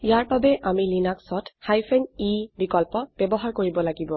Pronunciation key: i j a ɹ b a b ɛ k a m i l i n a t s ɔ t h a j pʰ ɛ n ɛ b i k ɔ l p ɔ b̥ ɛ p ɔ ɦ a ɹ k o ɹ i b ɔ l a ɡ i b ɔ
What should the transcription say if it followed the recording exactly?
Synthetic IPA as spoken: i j a ɹ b a b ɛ ʔ a m i l i n a k s ɔ t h a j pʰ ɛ n i b i k ɔ l p ɔ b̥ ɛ b ɔ ɦ a ɹ k o ɹ i b ɔ l a ɡ i b ɔ